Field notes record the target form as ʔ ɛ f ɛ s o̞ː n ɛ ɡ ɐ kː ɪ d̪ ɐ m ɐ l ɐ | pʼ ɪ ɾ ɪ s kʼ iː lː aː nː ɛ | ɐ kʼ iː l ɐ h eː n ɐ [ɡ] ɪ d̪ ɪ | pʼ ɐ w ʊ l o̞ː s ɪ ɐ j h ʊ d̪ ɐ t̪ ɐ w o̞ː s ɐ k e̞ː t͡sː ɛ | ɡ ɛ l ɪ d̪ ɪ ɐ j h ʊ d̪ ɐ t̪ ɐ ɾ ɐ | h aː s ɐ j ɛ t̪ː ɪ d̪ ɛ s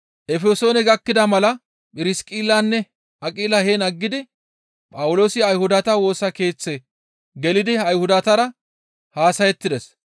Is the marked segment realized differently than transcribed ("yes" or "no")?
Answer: yes